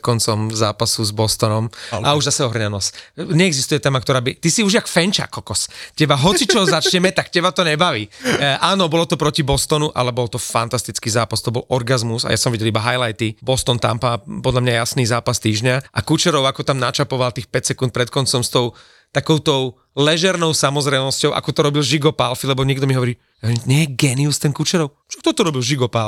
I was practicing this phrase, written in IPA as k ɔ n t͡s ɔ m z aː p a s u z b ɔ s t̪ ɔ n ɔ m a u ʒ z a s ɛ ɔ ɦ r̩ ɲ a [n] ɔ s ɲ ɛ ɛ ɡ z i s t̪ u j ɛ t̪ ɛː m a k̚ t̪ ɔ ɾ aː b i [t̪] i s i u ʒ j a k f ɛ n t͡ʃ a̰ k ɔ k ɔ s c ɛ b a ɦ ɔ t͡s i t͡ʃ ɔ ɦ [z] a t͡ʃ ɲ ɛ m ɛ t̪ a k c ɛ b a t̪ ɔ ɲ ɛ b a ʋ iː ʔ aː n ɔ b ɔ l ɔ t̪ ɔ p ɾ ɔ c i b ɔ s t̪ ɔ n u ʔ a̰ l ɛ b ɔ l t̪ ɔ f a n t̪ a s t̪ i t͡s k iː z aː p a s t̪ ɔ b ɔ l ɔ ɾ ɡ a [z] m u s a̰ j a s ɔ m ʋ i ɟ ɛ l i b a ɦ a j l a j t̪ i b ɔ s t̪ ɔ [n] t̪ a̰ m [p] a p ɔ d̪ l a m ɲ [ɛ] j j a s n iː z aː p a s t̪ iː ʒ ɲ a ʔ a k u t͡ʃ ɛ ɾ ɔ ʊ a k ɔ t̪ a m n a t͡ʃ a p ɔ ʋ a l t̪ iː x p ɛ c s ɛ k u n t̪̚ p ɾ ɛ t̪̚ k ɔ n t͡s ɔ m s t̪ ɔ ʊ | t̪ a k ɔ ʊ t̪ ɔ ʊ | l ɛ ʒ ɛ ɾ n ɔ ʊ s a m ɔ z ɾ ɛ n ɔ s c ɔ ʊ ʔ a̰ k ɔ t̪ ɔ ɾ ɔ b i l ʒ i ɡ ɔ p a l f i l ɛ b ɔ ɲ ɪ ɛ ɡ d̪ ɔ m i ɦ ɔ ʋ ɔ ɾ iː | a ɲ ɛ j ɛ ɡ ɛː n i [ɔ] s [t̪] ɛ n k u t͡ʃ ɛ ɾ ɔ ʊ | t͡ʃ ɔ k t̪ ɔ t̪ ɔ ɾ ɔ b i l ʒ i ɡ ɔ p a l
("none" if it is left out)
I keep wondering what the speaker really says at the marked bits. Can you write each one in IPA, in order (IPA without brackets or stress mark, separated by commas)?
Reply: n, t̪, z, z, n, p, a, u, t̪